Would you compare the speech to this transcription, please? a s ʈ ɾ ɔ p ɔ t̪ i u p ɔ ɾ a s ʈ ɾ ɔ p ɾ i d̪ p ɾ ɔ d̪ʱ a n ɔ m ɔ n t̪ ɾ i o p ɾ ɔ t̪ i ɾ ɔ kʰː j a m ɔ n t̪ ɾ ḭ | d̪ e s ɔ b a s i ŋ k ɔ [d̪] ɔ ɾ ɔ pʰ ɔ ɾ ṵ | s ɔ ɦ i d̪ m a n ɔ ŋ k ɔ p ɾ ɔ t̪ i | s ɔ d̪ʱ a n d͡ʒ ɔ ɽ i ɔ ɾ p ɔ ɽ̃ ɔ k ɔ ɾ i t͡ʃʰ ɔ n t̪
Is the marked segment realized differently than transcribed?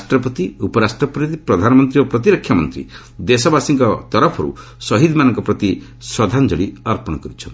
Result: yes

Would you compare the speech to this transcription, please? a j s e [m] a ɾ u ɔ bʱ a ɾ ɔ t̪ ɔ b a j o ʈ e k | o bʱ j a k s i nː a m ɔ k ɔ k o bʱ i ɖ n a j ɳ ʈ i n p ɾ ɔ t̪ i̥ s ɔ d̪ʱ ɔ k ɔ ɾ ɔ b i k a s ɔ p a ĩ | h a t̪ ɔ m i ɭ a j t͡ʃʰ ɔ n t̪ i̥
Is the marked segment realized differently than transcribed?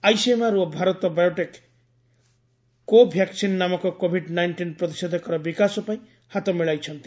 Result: no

